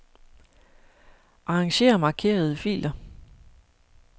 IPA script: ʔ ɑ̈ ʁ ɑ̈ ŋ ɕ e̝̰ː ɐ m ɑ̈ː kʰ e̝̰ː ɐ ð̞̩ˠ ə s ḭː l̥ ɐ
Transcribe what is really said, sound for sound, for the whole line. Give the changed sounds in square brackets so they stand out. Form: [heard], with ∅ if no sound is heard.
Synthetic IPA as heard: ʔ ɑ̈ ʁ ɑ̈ ŋ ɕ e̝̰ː ɐ m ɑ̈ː kʰ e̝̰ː ɐ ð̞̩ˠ ə [f] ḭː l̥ ɐ